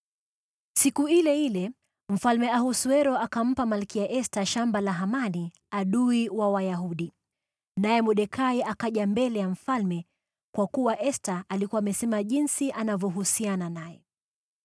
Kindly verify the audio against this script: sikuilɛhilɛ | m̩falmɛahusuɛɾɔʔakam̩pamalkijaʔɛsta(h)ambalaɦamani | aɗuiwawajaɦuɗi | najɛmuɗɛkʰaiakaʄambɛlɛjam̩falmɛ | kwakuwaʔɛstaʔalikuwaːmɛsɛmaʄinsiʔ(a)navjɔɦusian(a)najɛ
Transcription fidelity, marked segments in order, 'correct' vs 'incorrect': incorrect: ʃ, correct, correct

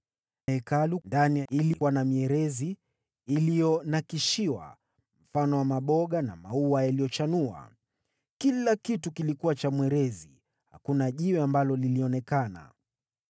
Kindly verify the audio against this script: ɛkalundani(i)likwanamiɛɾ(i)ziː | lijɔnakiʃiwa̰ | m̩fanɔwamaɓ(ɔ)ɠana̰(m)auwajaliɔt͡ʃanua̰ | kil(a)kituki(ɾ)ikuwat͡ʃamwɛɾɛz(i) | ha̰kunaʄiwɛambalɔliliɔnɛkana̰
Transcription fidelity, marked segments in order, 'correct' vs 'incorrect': correct, incorrect: ɛ, correct, correct, correct, incorrect: l, correct

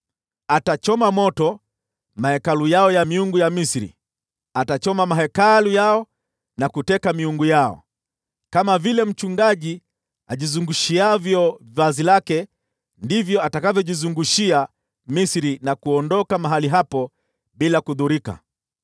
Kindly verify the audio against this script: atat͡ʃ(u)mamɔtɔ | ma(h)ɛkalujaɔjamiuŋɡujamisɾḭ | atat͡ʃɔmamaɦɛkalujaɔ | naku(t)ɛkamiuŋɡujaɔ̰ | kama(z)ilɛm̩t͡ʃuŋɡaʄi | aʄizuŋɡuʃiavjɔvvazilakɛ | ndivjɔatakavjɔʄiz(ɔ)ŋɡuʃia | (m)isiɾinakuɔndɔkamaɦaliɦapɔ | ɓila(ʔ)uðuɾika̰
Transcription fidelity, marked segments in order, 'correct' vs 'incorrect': incorrect: ɔ, correct, correct, incorrect: v, incorrect: u, correct, incorrect: k

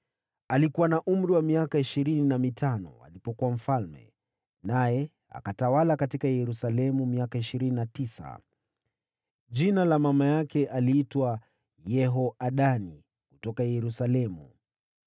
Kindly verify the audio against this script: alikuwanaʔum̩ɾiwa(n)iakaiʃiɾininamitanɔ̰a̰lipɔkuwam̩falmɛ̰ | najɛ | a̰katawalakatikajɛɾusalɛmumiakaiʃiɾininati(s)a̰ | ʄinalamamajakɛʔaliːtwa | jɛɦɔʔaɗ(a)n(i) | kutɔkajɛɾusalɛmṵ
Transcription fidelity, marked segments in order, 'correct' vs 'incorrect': incorrect: m, correct, correct, correct

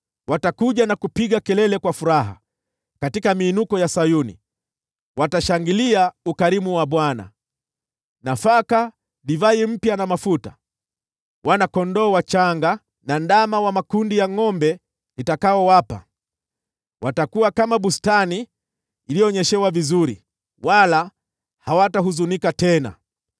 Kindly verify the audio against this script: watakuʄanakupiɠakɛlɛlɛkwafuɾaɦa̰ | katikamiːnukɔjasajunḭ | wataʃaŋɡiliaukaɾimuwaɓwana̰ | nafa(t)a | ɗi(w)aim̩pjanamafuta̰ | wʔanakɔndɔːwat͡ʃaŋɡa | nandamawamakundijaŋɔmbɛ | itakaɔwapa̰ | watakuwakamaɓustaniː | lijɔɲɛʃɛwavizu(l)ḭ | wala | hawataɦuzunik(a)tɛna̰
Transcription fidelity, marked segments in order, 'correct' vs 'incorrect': incorrect: k, incorrect: v, incorrect: ɾ, correct

